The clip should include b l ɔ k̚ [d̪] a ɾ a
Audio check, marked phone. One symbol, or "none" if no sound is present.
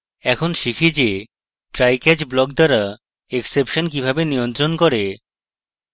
d̪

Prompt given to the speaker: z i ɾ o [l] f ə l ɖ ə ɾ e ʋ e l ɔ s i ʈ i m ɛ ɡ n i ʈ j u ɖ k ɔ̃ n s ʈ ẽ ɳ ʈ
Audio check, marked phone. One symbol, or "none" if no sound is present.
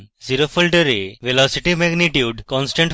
none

